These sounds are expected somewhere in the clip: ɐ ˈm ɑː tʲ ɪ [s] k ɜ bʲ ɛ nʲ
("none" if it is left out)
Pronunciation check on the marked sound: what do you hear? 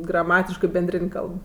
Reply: ʃ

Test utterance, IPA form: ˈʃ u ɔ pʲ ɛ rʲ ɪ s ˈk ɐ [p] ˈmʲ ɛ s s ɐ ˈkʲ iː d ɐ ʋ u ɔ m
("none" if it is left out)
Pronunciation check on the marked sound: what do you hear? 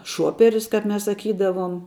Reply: p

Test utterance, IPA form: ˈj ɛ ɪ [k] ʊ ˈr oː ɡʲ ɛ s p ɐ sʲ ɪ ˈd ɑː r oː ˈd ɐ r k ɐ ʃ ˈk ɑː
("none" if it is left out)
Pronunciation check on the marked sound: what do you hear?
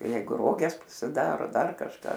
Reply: ɡ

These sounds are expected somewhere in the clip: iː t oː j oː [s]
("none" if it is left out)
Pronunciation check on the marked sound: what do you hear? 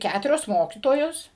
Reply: s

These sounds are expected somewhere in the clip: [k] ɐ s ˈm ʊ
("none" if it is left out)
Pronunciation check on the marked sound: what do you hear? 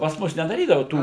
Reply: p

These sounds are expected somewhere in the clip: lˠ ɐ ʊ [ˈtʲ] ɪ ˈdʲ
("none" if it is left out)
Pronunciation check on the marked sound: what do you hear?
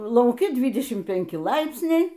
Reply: kʲ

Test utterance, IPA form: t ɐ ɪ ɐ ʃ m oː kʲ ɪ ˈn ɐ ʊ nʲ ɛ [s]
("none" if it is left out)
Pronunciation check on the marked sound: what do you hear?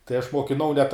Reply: t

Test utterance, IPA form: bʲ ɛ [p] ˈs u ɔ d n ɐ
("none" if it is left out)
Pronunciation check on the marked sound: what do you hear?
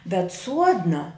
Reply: t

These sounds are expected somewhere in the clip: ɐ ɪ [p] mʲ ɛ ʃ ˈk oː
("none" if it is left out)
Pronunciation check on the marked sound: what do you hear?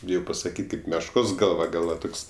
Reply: p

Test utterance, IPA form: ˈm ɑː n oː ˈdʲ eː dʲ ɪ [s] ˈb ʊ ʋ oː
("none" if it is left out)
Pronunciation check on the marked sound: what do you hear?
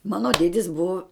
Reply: s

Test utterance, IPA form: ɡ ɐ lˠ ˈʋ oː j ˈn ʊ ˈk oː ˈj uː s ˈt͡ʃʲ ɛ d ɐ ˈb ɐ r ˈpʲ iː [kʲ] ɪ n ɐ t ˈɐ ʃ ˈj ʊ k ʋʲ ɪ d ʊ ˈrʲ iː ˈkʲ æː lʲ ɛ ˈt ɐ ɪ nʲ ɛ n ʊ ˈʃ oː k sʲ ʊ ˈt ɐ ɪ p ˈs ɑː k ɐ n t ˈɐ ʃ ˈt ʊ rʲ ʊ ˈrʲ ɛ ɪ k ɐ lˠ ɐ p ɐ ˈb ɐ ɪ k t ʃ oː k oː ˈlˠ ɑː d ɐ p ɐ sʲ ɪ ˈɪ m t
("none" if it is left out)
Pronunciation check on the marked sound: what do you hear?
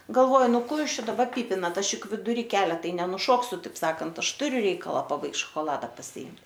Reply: pʲ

